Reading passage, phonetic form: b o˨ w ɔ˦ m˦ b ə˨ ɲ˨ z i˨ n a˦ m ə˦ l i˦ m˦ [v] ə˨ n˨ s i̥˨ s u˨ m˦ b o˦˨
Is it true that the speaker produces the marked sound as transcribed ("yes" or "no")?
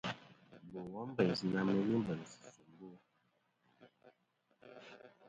no